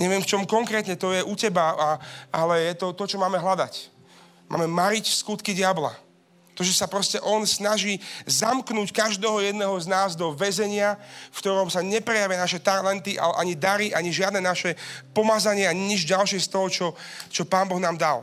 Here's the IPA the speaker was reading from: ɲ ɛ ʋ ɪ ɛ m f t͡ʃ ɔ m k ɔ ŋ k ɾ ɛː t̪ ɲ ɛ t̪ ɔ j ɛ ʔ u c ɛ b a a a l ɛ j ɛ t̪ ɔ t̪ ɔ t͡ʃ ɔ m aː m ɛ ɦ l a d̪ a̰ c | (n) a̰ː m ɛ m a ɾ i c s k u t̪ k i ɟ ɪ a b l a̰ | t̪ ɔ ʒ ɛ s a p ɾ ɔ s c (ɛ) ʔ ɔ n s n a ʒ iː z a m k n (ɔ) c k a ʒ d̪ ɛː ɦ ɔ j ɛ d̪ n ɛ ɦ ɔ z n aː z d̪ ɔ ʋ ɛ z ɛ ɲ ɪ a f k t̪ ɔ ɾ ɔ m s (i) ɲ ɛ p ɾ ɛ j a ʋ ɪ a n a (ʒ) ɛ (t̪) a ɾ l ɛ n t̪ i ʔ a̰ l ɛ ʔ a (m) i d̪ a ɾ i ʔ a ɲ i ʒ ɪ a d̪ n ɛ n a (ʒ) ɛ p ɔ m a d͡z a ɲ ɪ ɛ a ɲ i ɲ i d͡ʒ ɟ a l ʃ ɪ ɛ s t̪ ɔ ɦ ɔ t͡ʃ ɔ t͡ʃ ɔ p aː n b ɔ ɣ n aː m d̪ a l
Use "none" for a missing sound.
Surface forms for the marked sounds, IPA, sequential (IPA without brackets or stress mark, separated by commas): m, ɛ, u, a, ʃ, t̪, ɲ, ʃ